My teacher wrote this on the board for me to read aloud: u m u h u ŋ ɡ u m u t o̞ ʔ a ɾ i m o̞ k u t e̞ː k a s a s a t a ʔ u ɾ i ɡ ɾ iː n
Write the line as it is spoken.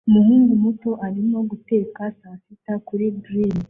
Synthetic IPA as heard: u m u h uː ŋ ɡ u m u t o̞ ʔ a ɾ i m o̞ ɡ u t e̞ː k a s a s i t a k u ɾ i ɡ ɾ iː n